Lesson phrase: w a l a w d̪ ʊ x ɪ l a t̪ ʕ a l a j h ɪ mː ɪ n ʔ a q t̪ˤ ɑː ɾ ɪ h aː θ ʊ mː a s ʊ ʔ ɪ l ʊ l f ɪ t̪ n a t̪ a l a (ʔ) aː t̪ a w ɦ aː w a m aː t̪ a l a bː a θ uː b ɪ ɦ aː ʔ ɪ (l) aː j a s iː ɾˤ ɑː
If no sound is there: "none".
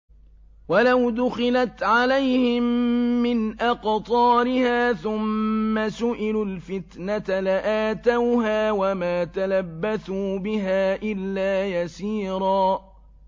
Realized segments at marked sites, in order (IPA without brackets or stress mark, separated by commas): ʔ, lː